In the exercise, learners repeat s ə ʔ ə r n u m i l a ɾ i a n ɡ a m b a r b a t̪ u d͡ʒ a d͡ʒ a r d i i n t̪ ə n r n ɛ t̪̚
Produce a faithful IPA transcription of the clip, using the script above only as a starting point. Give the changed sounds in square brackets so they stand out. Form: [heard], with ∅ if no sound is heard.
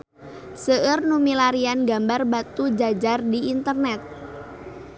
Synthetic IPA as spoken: s ə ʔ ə r n u m i l a ɾ i a n ɡ a m b a r b a t̪ u d͡ʒ a d͡ʒ a r d i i n t̪ ə [∅] r n ɛ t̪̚